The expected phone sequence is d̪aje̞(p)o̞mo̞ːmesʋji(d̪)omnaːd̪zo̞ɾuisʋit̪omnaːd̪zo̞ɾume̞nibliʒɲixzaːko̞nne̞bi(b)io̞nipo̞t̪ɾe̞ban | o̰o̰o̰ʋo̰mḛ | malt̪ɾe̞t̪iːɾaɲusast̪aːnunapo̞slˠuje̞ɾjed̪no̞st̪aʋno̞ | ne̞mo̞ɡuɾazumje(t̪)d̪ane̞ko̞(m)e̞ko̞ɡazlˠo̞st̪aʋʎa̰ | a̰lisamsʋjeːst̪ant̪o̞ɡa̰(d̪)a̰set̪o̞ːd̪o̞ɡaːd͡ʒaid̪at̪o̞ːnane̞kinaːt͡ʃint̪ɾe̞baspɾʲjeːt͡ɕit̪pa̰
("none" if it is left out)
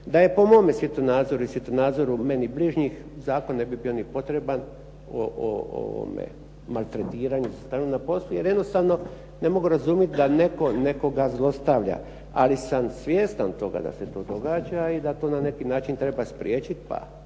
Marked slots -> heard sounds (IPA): p, t̪, b, t̪, n, d̪

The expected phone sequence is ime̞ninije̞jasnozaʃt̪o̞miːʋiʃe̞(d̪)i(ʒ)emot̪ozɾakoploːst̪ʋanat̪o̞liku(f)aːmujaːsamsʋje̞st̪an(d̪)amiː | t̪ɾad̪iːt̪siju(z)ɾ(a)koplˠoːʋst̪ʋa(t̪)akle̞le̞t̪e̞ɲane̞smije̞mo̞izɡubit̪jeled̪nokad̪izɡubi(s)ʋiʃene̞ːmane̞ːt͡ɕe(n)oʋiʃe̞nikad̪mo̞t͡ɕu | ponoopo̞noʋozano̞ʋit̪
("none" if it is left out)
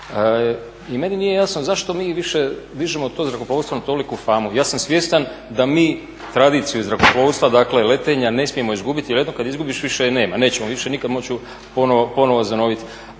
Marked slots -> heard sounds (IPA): d̪, ʒ, f, d̪, z, a, d̪, ʃ, m

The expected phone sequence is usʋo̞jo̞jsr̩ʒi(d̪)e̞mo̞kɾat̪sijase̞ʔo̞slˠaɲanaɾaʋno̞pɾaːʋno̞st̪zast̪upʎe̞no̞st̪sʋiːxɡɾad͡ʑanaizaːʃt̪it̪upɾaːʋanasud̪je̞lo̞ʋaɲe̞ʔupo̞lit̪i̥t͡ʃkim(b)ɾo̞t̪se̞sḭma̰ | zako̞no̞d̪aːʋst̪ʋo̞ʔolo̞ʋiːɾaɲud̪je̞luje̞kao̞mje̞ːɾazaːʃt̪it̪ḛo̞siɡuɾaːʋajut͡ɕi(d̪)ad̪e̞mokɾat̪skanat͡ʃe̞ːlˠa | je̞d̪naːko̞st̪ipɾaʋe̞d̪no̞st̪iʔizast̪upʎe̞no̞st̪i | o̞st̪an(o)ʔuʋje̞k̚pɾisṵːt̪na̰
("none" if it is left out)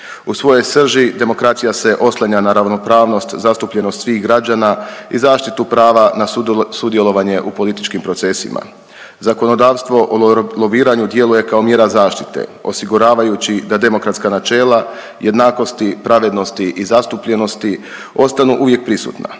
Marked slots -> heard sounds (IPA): d̪, p, d̪, u

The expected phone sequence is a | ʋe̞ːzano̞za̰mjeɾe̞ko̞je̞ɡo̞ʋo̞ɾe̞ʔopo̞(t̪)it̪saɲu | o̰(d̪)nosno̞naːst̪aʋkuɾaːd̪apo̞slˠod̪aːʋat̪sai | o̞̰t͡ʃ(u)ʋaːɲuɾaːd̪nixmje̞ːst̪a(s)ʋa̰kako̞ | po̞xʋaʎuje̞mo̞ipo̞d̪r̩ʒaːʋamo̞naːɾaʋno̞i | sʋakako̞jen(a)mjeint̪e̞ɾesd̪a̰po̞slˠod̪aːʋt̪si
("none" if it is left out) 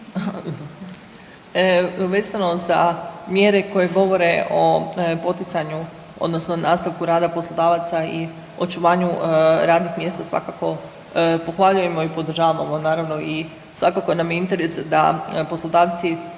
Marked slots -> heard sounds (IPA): t̪, d̪, u, s, a

